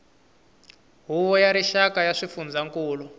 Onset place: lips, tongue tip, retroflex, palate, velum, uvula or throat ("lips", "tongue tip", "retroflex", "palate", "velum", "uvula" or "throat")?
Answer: throat